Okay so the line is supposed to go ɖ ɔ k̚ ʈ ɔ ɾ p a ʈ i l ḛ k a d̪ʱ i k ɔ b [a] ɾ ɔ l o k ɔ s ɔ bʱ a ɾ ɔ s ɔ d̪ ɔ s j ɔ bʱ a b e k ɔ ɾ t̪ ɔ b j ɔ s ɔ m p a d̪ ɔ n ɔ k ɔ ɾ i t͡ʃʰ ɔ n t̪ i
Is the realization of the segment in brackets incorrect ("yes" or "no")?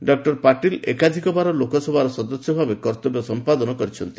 no